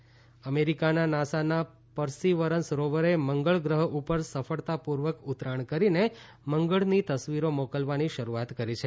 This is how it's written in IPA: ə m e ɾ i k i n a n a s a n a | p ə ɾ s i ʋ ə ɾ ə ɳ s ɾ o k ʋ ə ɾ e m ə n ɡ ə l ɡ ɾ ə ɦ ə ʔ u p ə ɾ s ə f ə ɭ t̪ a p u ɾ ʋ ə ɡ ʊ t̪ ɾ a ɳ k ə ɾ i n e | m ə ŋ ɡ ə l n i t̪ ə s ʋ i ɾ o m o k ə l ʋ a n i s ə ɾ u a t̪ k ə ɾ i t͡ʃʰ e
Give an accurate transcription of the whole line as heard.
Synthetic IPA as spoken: ə m e ɾ i k a n a n a s a n a | p ə ɾ s i ʋ ə ɾ ə n s ɾ o ʋ ə ɾ e m ə ŋ ɡ ə ɭ ɡ ɾ ə ɦ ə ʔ u p ə ɾ s ə f ə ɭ t̪ a p u ɾ ʋ ə k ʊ t̪ ɾ a ɳ k ə ɾ i n e | m ə ŋ ɡ ə ɭ n i t̪ ə s ʋ i ɾ o m o k ə l ʋ a n i ʃ ə ɾ u a t̪ k ə ɾ i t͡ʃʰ e

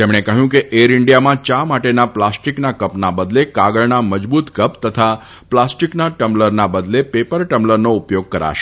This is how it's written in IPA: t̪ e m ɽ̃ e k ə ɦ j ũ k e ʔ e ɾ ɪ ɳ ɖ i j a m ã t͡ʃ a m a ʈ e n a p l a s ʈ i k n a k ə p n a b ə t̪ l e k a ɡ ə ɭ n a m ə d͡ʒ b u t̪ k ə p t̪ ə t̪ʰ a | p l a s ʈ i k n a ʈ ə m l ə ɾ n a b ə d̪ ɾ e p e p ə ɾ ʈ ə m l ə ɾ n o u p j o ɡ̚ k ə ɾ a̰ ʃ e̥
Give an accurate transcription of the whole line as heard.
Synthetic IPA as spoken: t̪ e m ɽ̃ e k ə ɦ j ũ k e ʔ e ɾ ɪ ɳ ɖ i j a m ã t͡ʃ a m a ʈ e n a p l a s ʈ i k n a k ə p n a b ə d̪ l e k a ɡ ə ɭ n a m ə d͡ʒ b u t̪ k ə p t̪ ə t̪ʰ a | p l a s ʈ i k n a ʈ ə m l ə ɾ n a b ə d̪ l e p e p ə ɾ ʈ ə m l ə ɾ n o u p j o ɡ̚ k ə ɾ a̰ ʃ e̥

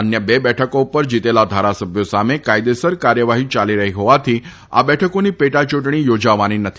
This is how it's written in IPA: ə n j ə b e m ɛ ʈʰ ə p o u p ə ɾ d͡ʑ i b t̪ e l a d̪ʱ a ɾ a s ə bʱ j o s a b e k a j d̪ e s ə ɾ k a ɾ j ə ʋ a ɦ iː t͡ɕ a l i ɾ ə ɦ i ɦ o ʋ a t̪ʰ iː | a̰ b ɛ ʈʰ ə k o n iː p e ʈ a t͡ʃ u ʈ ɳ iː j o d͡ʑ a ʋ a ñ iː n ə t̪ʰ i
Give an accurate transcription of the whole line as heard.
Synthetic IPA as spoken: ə n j ə b e b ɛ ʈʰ ə k o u p ə ɾ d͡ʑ i t̪ e l a d̪ʱ a ɾ a s ə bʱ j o s a m e k a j d̪ e s ə ɾ k a ɾ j ə ʋ a ɦ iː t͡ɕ a l i ɾ ə ɦ i ɦ o ʋ a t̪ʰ iː | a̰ b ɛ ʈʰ ə k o n iː p e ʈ a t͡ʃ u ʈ ɳ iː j o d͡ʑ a ʋ a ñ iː n ə t̪ʰ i

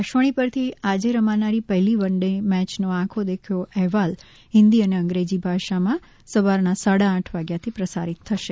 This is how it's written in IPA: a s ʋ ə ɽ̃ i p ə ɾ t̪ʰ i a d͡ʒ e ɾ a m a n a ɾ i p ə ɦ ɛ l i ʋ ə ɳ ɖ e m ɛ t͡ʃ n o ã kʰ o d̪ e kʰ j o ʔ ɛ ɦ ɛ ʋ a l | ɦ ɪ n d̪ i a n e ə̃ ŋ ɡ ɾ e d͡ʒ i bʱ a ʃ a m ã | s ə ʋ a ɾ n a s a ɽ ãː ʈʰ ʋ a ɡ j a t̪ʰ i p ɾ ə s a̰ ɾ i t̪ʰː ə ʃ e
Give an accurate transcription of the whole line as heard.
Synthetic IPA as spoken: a ʃ ʋ ə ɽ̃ i p ə ɾ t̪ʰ i a d͡ʒ e ɾ ə m a n a ɾ i p ə ɦ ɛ l i ʋ ə ɳ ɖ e m ɛ t͡ʃ n o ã kʰ o d̪ e kʰ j o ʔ ɛ ɦ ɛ ʋ a l | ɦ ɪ n d̪ i ə n e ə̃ ŋ ɡ ɾ e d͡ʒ i bʱ a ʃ a m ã | s ə ʋ a ɾ n a s a ɽ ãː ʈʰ ʋ a ɡ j a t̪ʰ i p ɾ ə s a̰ ɾ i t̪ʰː ə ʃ e

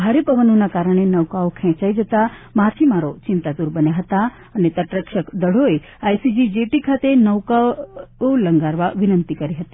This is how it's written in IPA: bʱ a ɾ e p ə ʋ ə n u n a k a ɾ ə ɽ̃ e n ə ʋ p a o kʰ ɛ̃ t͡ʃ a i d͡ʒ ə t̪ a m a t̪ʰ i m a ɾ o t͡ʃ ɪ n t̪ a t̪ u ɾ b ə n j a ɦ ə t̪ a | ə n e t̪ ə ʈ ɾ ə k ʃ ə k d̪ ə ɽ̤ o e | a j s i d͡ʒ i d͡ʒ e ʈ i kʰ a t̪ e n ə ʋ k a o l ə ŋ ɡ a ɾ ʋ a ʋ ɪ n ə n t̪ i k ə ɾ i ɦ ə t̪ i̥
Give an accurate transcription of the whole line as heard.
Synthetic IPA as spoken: bʱ a ɾ e p ə ʋ ə n o n a k a ɾ ə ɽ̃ e n ə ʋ k a o kʰ ɛ̃ t͡ʃ a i d͡ʒ ə t̪ a m a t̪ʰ i m a ɾ o t͡ʃ ɪ n t̪ a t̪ u ɾ b ə n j a ɦ ə t̪ a | ə n e t̪ ə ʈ ɾ ə k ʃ ə k d̪ ə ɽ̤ o e | a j s i d͡ʒ i d͡ʒ e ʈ i kʰ a t̪ e n ə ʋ k a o l ə ŋ ɡ a ɾ ʋ a ʋ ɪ n ə n t̪ i k ə ɾ i ɦ ə t̪ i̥

